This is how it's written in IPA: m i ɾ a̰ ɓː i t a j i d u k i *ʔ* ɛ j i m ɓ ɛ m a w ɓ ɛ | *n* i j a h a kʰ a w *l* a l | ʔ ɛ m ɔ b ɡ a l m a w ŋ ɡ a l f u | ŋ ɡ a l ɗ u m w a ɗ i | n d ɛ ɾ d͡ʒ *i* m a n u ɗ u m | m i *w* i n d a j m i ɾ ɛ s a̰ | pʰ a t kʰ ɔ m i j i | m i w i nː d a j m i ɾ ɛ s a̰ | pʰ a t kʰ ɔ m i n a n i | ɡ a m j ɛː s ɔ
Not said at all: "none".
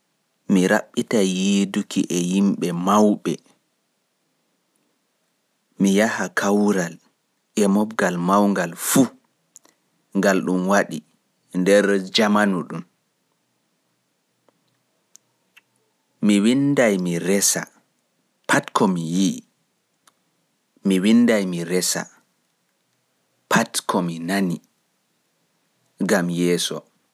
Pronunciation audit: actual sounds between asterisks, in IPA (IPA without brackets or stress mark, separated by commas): ʔ, m, ɾ, a, w